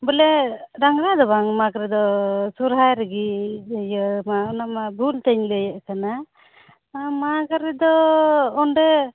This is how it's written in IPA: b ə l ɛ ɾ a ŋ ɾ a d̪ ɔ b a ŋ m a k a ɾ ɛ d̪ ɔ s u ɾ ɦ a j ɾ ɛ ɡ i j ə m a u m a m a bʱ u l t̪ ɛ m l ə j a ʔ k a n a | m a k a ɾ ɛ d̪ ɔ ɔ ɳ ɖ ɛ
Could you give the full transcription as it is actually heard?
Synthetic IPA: b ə l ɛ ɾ a ŋ ɾ a d̪ ɔ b a ŋ m a k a ɾ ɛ d̪ ɔ s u ɾ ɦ a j ɾ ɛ ɡ i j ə m a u n a m a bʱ u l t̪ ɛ ɲ l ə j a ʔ k a n a | m a k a ɾ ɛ d̪ ɔ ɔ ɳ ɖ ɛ